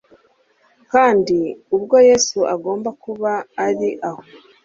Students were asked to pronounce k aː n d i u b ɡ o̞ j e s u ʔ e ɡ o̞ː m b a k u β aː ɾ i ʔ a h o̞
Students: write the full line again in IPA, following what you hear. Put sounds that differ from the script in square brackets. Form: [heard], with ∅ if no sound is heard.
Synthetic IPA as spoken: k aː n d i u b ɡ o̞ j e s u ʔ [a] ɡ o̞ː m b a k u β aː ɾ i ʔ a h o̞